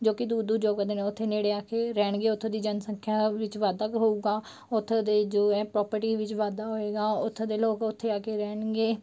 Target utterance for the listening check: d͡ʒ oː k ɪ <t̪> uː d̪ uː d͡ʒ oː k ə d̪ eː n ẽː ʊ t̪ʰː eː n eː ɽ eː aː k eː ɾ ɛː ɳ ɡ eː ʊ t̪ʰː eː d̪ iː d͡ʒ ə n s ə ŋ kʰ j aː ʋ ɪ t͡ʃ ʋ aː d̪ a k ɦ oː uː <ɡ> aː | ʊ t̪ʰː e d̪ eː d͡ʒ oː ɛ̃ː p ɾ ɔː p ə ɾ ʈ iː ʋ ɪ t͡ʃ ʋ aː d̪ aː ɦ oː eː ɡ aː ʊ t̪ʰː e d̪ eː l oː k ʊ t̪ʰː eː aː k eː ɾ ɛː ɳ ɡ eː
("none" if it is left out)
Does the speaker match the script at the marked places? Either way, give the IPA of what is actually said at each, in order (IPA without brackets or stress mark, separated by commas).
d̪, ɡ